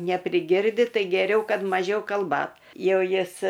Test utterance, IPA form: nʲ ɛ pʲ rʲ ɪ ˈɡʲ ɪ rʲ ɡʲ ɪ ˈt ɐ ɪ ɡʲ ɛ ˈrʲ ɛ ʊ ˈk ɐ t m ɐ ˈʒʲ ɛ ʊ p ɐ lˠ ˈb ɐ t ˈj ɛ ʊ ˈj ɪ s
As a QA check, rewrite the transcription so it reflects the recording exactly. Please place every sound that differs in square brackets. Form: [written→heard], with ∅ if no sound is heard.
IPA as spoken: nʲ ɛ pʲ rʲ ɪ ˈɡʲ ɪ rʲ [ɡʲ→dʲ] ɪ ˈt ɐ ɪ ɡʲ ɛ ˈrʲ ɛ ʊ ˈk ɐ t m ɐ ˈʒʲ ɛ ʊ [p→k] ɐ lˠ ˈb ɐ t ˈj ɛ ʊ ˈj ɪ s